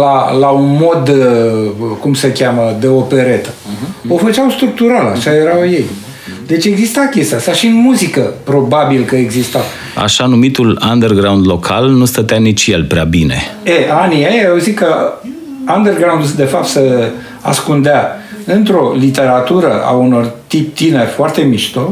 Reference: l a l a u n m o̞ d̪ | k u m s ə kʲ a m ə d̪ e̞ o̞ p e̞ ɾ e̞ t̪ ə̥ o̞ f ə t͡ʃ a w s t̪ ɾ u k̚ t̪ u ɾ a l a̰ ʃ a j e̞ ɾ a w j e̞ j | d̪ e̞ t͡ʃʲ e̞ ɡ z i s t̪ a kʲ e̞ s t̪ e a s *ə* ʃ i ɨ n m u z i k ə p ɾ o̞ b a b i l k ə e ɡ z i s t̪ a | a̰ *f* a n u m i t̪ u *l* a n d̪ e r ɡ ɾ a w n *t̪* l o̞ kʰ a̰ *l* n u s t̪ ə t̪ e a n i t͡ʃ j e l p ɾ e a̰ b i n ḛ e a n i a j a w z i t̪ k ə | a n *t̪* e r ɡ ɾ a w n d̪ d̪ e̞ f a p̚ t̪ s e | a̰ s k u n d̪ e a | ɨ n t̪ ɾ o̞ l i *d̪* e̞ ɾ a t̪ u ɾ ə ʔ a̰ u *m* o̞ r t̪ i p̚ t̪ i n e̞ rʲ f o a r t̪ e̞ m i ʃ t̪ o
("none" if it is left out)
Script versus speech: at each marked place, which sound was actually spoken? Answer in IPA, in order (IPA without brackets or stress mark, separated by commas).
a, ʃ, l, d̪, l, d̪, t̪, n